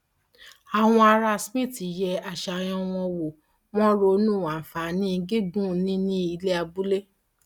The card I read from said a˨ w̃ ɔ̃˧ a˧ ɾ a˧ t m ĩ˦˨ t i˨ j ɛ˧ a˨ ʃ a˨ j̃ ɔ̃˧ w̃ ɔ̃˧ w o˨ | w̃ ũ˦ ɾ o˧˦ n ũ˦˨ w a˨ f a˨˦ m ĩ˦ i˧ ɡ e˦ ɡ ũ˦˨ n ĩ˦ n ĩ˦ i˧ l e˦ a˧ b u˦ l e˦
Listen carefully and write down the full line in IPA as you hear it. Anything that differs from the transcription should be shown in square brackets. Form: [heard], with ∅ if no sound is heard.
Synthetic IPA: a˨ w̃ ɔ̃˧ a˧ ɾ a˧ [s] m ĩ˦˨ t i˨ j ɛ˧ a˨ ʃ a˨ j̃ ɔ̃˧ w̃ ɔ̃˧ w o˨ | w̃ [ɔ̃˦] ɾ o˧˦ n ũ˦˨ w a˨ f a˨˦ [n] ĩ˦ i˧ ɡ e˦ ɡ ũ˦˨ n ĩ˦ n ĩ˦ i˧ l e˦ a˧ b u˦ l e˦